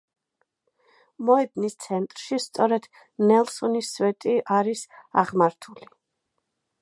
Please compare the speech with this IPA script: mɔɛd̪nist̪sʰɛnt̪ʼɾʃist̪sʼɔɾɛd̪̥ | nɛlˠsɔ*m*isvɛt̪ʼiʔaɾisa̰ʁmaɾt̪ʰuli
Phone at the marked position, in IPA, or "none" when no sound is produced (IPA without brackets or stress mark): n